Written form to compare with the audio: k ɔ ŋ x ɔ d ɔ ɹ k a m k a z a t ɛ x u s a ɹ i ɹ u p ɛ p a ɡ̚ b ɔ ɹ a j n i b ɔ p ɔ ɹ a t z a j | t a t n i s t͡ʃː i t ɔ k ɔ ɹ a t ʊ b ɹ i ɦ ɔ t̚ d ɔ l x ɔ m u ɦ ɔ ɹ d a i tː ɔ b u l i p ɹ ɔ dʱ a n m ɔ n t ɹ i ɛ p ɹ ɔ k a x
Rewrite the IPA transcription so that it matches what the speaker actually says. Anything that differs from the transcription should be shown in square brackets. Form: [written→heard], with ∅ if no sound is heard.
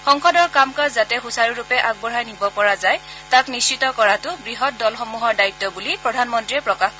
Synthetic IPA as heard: [k→x] ɔ ŋ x ɔ d ɔ ɹ k a m k a z a t ɛ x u s a ɹ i ɹ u p ɛ [p→ʔ] a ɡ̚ b ɔ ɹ a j n i b ɔ p ɔ ɹ a [t→∅] z a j | t a [t→k] n i s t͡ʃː i t ɔ k ɔ ɹ a t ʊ b ɹ i ɦ ɔ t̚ d ɔ l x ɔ m u ɦ ɔ ɹ d a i tː ɔ b u l i p ɹ ɔ dʱ a n m ɔ n t ɹ i ɛ p ɹ ɔ k a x